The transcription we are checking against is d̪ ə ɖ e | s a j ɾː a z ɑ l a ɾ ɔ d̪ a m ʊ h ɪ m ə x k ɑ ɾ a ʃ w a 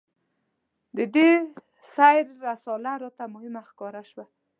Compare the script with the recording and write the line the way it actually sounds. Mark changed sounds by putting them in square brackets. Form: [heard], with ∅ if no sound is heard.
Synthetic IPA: d̪ ə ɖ e | s a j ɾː a [s] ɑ l a ɾ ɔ [t̪] a m ʊ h ɪ m [a] x k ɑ ɾ a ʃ w a